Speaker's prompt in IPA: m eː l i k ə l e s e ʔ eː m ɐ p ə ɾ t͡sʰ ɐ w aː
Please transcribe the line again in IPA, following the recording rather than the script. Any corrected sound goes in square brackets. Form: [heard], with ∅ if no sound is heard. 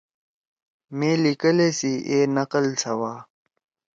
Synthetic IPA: m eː l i k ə l e s [i] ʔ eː [n] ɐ [q] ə [l] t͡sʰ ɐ w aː